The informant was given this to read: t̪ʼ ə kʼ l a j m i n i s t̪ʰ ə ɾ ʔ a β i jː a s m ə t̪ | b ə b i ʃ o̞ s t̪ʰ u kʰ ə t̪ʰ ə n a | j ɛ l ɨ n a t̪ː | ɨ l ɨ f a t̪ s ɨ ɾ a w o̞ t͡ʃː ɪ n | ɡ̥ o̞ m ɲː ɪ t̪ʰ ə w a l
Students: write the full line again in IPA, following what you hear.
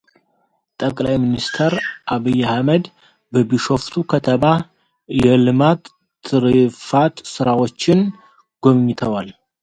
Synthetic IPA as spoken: t̪ʼ ə kʼ l a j m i n i s t̪ʰ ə ɾ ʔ a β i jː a h m ə d̪ | b ə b i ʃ o̞ f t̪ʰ u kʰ ə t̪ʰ ə m a | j ɛ l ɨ m a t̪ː | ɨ ɾ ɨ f a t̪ s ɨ ɾ a w o̞ t͡ʃː ɪ n | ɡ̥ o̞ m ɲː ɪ t̪ʰ ə w a l